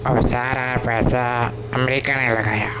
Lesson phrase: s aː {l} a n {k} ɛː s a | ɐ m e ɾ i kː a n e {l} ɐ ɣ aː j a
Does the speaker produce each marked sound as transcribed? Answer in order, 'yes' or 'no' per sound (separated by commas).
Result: no, no, yes